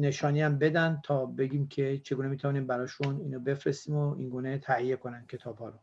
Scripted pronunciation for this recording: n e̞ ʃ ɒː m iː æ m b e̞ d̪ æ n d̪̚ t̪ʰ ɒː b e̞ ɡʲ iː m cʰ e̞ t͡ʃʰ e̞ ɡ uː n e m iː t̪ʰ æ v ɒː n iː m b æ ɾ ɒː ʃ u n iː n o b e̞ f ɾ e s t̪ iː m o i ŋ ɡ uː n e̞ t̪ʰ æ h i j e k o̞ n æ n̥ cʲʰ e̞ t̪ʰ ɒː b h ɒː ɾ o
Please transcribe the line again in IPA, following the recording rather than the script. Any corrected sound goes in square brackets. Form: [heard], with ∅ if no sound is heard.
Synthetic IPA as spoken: n e̞ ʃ ɒː [n] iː æ m b e̞ d̪ æ n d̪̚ t̪ʰ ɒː b e̞ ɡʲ iː m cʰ e̞ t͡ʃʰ e̞ ɡ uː n e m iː t̪ʰ æ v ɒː n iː m b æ ɾ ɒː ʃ u n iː n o b e̞ f ɾ e s t̪ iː m o i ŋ ɡ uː n e̞ t̪ʰ æ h i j e k o̞ n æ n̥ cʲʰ e̞ t̪ʰ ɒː b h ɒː ɾ o